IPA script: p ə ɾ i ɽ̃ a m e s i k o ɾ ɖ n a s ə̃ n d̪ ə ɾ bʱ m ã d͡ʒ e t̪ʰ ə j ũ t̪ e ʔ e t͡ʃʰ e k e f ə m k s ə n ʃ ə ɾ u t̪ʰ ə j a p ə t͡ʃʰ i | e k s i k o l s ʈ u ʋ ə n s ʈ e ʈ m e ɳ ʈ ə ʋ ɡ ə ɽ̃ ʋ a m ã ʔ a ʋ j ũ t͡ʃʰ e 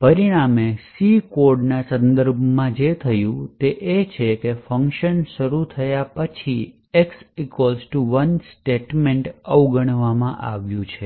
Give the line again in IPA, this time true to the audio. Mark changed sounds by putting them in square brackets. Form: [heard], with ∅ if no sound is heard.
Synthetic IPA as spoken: p ə ɾ i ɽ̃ a m e s i k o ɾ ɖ n a s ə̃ n d̪ ə ɾ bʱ m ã d͡ʒ e t̪ʰ ə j ũ t̪ e ʔ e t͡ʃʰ e k e f ə [ŋ] k [ʃ] ə n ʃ ə ɾ u t̪ʰ ə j a p ə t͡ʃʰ i | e k s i k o l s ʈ u ʋ ə n s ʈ e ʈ m e ɳ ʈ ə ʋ ɡ ə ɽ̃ ʋ a m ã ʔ a ʋ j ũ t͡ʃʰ e